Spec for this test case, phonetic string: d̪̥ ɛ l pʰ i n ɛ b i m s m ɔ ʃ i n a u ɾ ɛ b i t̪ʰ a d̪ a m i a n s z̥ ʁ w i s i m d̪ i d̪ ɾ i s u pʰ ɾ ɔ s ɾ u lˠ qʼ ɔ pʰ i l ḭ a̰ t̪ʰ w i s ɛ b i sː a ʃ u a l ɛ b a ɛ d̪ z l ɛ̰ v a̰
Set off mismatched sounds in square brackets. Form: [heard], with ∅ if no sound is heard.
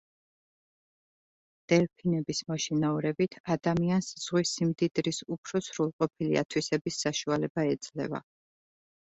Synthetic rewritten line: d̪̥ ɛ l pʰ i n ɛ b i [∅] s m ɔ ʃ i n a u ɾ ɛ b i t̪ʰ a d̪ a m i a n s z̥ ʁ w i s i m d̪ i d̪ ɾ i s u pʰ ɾ ɔ s ɾ u lˠ qʼ ɔ pʰ i l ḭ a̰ t̪ʰ w i s ɛ b i sː a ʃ u a l ɛ b a ɛ d̪ z l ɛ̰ v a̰

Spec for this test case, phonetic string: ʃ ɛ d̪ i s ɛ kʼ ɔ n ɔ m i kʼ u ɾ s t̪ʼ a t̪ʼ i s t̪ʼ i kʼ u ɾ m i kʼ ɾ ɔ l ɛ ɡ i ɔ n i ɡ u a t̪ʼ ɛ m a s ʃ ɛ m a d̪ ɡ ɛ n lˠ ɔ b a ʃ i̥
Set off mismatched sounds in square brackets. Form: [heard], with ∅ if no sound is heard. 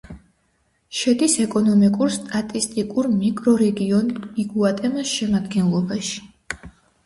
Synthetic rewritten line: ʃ ɛ d̪ i s ɛ kʼ ɔ n ɔ m i kʼ u ɾ s t̪ʼ a t̪ʼ i s t̪ʼ i kʼ u ɾ m i kʼ ɾ ɔ [ɾ] ɛ ɡ i ɔ n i ɡ u a t̪ʼ ɛ m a s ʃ ɛ m a d̪ ɡ ɛ n lˠ ɔ b a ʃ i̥

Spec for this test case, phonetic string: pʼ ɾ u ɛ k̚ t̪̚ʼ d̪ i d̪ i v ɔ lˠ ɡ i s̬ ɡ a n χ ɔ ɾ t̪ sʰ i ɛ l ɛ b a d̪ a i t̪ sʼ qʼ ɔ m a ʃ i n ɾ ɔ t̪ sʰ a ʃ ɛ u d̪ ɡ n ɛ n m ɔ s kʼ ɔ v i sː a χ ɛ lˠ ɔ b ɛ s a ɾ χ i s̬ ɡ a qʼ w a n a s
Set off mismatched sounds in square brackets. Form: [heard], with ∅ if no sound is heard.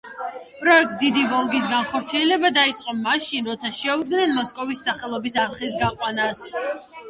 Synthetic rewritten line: pʼ ɾ [ɔ] ɛ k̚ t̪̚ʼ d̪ i d̪ i v ɔ lˠ ɡ i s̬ ɡ a n χ ɔ ɾ t̪ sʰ i ɛ l ɛ b a d̪ a i t̪ sʼ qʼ ɔ m a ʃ i n ɾ ɔ t̪ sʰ a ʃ ɛ u d̪ ɡ n ɛ n m ɔ s kʼ ɔ v i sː a χ ɛ lˠ ɔ b [i] s a ɾ χ i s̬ ɡ a qʼ w a n a s

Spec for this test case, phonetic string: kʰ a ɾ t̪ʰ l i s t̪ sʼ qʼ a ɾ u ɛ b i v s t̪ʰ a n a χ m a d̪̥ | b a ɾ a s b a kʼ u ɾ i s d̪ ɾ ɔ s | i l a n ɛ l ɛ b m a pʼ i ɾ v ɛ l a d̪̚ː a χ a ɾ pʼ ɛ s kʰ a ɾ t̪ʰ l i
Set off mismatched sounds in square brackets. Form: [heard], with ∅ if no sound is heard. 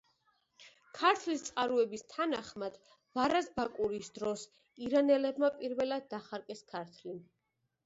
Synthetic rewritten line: kʰ a ɾ t̪ʰ l i s t̪ sʼ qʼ a ɾ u ɛ b i [∅] s t̪ʰ a n a χ m a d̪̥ | [v] a ɾ a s b a kʼ u ɾ i s d̪ ɾ ɔ s | i [ɾ] a n ɛ l ɛ b m a pʼ i ɾ v ɛ l a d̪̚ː a χ a ɾ [kʼ] ɛ s kʰ a ɾ t̪ʰ l i

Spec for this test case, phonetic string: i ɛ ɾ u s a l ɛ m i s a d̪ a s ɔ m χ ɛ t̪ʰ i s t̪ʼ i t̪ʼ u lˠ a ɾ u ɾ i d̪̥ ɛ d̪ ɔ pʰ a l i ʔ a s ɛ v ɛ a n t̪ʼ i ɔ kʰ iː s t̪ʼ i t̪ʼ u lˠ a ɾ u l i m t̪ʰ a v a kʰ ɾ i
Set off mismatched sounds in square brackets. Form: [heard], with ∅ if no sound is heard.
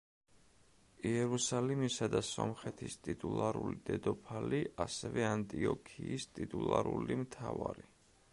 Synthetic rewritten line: i ɛ ɾ u s a l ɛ m i s a d̪ a s ɔ m χ ɛ t̪ʰ i s t̪ʼ i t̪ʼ u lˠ a ɾ u [l] i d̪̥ ɛ d̪ ɔ pʰ a l i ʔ a s ɛ v ɛ a n t̪ʼ i ɔ kʰ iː s t̪ʼ i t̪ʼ u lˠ a ɾ u l i m t̪ʰ a v a [∅] ɾ i

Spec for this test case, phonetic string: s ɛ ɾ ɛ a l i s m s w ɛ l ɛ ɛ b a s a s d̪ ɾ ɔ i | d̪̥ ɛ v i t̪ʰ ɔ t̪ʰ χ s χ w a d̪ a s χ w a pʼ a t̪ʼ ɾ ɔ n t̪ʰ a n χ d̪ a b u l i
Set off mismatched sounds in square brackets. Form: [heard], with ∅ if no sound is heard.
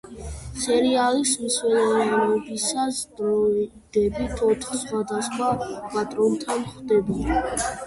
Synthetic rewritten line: s ɛ ɾ [i] a l i s m s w ɛ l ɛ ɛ b [i] s a s d̪ ɾ ɔ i | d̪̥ ɛ [b] i t̪ʰ ɔ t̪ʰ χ s χ w a d̪ a s χ w a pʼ a t̪ʼ ɾ ɔ n t̪ʰ a n χ d̪ [ɛ] b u l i

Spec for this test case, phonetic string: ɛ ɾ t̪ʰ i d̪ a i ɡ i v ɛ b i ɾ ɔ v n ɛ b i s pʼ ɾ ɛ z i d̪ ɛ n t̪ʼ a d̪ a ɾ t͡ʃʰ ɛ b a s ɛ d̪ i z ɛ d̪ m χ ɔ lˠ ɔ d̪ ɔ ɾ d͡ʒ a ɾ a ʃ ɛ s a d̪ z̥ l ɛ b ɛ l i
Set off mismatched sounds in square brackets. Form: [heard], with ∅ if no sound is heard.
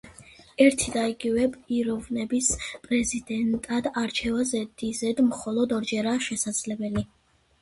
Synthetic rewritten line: ɛ ɾ t̪ʰ i d̪ a i ɡ i v ɛ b i ɾ ɔ v n ɛ b i s pʼ ɾ ɛ z i d̪ ɛ n t̪ʼ a d̪ a ɾ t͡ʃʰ ɛ [v] a [z] ɛ d̪ i z ɛ d̪ m χ ɔ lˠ ɔ d̪ ɔ ɾ d͡ʒ [ɛ] ɾ a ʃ ɛ s a d̪ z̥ l ɛ b ɛ l i

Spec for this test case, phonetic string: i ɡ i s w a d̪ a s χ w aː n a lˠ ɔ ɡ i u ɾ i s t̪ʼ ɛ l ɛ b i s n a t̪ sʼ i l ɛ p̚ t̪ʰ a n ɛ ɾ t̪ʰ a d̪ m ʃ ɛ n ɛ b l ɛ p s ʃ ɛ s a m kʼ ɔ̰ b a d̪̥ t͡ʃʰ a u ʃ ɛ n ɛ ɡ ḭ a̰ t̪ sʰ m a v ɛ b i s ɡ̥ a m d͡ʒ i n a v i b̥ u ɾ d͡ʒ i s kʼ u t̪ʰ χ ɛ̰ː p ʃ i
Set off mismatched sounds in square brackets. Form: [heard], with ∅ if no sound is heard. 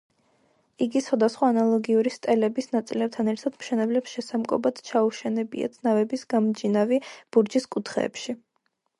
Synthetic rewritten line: i ɡ i s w a d̪ a s χ w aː n a lˠ ɔ ɡ i u ɾ i s t̪ʼ ɛ l ɛ b i s n a t̪ sʼ i l ɛ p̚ t̪ʰ a n ɛ ɾ t̪ʰ a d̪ m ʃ ɛ n ɛ b l ɛ p s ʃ ɛ s a m kʼ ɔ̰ b a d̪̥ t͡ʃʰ a u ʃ ɛ n ɛ [b] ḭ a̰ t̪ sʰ [n] a v ɛ b i s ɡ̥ a m d͡ʒ i n a v i b̥ u ɾ d͡ʒ i s kʼ u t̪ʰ χ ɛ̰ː p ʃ i

